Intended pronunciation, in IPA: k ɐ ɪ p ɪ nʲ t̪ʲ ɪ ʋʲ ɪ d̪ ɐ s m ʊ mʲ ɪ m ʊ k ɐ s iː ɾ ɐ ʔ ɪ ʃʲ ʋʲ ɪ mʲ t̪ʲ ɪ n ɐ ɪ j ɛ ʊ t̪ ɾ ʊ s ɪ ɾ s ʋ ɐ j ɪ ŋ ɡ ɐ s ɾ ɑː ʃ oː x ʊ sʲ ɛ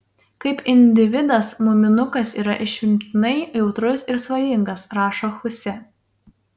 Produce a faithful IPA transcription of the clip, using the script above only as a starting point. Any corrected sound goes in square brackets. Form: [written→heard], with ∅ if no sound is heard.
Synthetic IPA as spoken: k ɐ ɪ p ɪ nʲ [t̪ʲ→d̪ʲ] ɪ ʋʲ ɪ d̪ ɐ s m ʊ mʲ ɪ [m→n] ʊ k ɐ s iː ɾ ɐ ʔ ɪ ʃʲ ʋʲ ɪ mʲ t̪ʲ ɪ n ɐ ɪ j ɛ ʊ t̪ ɾ ʊ s ɪ ɾ s ʋ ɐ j ɪ ŋ ɡ ɐ s ɾ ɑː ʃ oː x ʊ sʲ ɛ